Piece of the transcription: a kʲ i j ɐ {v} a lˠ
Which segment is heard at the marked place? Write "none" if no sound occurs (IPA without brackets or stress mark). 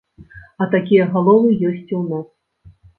ɣ